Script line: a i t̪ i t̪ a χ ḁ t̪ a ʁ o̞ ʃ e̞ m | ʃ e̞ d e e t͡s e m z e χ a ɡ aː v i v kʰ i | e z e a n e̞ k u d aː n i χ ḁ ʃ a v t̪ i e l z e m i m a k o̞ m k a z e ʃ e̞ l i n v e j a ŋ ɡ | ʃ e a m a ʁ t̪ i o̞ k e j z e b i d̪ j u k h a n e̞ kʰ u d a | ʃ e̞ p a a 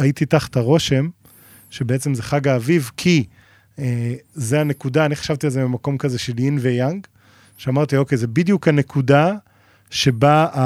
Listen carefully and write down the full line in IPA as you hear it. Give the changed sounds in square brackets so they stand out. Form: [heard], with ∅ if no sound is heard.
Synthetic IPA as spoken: a i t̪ i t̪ a χ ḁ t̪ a ʁ o̞ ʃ e̞ m | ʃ e̞ [b] e e t͡s e m z e χ a ɡ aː v i v kʰ i | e z e a n e̞ k u d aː n i χ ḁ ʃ a v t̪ i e l z e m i m a k o̞ m k a z e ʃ e̞ l i n v e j a ŋ ɡ | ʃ e a m a ʁ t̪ i o̞ k e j z e b i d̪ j u k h a n e̞ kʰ u d a | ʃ e̞ [b] a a